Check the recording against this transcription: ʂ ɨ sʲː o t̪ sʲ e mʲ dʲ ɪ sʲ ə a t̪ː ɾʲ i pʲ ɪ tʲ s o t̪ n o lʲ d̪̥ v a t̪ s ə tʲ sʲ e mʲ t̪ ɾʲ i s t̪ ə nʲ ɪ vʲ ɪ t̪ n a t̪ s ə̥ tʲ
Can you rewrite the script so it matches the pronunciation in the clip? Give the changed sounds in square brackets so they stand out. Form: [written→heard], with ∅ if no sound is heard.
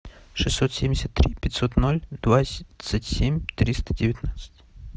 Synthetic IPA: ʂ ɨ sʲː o t̪ sʲ e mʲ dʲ ɪ sʲ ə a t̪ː ɾʲ i pʲ ɪ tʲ s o t̪ n o lʲ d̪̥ v a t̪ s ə tʲ sʲ e mʲ t̪ ɾʲ i s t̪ ə [nʲ→dʲ] ɪ vʲ ɪ t̪ n a t̪ s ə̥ tʲ